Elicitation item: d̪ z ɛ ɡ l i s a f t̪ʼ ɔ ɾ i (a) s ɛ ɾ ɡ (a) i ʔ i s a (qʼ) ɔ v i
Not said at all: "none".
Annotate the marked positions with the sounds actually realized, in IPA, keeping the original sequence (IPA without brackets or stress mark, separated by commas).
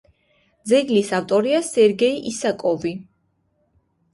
a, ɛ, kʼ